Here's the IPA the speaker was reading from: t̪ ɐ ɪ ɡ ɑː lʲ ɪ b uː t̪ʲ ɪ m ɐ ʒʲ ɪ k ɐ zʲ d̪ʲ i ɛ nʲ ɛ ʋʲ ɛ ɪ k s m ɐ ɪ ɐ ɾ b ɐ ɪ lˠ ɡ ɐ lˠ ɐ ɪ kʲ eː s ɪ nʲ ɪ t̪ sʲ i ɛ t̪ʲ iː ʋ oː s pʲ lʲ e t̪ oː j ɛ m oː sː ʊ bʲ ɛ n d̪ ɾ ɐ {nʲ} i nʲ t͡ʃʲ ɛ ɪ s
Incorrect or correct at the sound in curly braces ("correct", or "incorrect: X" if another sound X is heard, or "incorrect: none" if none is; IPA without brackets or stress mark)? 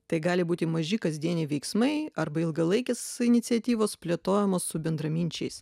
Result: incorrect: mʲ